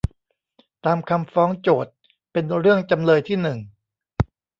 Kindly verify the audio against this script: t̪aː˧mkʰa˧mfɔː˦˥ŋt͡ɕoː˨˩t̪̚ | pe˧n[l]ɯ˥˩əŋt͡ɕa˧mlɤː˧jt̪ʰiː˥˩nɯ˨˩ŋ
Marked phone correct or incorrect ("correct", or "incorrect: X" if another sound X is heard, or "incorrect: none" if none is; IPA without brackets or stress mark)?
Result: incorrect: ɾ